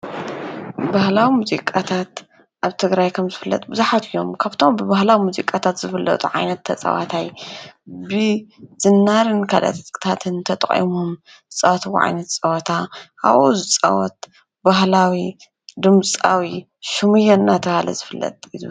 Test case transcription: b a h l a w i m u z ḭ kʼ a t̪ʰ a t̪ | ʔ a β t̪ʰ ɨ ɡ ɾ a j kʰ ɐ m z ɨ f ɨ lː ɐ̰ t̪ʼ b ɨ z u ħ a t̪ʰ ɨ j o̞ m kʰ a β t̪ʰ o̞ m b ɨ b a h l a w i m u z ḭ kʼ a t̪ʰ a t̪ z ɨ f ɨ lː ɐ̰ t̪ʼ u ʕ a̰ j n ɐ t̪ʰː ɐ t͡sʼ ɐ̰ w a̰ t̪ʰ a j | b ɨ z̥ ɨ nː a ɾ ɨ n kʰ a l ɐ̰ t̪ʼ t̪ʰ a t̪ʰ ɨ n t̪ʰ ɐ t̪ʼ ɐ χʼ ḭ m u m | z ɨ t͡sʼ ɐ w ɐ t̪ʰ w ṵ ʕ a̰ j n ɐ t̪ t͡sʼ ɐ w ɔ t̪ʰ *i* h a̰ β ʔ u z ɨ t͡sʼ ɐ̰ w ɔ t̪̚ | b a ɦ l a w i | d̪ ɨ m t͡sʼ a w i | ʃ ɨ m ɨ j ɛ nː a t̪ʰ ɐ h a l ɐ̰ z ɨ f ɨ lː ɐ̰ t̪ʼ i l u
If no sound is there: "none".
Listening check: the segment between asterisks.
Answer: a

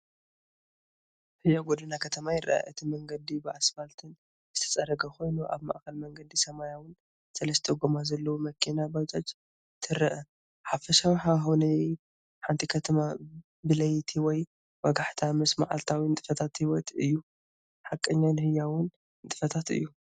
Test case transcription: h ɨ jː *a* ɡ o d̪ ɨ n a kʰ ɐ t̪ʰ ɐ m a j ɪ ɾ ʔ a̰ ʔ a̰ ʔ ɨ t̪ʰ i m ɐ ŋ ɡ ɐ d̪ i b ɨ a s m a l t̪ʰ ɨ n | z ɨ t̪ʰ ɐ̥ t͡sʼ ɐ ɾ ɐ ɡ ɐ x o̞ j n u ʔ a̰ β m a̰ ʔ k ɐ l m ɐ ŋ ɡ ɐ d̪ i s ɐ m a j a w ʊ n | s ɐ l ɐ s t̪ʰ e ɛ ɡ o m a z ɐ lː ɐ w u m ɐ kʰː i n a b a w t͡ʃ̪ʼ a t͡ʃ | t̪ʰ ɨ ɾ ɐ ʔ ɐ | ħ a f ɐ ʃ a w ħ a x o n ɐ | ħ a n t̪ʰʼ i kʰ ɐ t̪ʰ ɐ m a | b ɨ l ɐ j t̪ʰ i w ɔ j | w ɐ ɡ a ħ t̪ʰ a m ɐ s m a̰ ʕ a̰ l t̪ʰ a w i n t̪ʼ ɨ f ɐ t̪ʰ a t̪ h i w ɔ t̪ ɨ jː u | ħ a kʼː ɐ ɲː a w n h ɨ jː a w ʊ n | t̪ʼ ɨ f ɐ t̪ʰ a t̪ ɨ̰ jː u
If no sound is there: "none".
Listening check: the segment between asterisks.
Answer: a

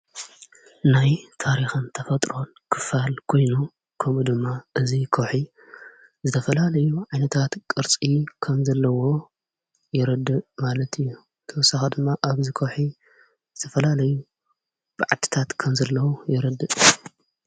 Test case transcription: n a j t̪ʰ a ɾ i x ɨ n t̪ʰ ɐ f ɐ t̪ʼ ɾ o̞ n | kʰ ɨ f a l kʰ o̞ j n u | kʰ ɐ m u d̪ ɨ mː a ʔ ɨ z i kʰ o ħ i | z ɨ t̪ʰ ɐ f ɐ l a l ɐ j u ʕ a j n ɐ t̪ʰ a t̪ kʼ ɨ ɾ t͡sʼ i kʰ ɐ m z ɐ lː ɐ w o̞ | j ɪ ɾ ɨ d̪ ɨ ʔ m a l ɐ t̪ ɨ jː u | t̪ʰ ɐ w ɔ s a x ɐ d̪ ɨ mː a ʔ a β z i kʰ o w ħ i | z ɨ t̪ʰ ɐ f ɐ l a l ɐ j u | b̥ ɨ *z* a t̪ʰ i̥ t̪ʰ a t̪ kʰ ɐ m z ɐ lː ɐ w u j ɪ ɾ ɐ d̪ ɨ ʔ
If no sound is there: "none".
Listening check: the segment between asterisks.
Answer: ʕ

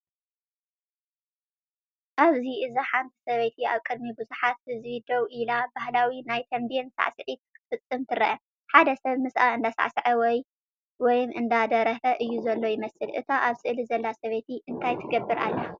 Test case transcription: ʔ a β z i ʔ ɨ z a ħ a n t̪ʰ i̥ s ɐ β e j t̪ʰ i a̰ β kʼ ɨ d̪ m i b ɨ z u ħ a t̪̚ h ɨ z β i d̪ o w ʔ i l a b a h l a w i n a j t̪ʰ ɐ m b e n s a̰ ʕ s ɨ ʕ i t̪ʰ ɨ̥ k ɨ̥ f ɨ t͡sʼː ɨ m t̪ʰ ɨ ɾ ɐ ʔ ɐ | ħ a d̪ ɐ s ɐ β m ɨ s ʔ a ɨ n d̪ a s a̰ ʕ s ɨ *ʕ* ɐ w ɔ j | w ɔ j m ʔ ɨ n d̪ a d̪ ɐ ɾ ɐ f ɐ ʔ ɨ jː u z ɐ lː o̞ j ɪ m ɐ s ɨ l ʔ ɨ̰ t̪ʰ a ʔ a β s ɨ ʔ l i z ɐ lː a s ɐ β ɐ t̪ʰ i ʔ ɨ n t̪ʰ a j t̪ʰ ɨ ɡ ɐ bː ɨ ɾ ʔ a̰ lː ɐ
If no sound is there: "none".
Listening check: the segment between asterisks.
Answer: ʕ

